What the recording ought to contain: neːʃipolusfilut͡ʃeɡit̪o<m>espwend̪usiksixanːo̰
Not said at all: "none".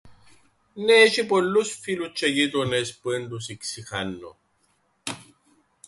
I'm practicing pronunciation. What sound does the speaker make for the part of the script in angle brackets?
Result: n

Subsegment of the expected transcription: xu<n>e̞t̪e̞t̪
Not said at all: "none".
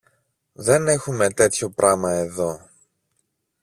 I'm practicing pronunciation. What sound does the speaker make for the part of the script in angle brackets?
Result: m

